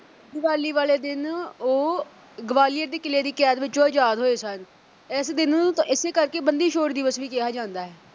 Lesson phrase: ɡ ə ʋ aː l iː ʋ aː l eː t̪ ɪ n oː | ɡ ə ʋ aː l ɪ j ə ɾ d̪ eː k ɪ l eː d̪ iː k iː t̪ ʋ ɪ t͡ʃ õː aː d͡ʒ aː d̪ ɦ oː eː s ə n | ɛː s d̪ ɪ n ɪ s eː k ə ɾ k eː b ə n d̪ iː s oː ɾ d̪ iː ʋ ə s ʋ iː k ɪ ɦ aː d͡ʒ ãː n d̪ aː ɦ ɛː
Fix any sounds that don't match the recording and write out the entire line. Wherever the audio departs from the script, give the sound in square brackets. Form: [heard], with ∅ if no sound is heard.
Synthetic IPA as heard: ɡ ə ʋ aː l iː ʋ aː l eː [d̪] ɪ n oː | ɡ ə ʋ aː l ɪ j ə ɾ d̪ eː k ɪ l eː d̪ iː k [ɛː] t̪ ʋ ɪ t͡ʃ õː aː d͡ʒ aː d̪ ɦ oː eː s ə n | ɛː s d̪ ɪ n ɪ s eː k ə ɾ k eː b ə n d̪ iː [ʃ] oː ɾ d̪ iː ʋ ə s ʋ iː k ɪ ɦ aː d͡ʒ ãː n d̪ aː ɦ ɛː